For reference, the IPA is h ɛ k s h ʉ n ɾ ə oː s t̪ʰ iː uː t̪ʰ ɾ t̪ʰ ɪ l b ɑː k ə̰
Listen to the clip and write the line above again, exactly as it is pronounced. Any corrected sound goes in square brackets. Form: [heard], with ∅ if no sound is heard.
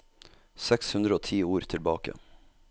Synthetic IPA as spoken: [s] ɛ k s h ʉ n ɾ ə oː [∅] t̪ʰ iː uː [∅] ɾ t̪ʰ ɪ l b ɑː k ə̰